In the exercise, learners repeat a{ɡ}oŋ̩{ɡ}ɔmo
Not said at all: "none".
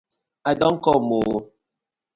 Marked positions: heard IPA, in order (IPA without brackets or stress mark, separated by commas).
d, k